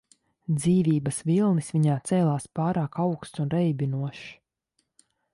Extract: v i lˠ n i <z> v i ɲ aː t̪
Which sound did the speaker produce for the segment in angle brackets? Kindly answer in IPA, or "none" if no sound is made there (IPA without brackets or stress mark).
s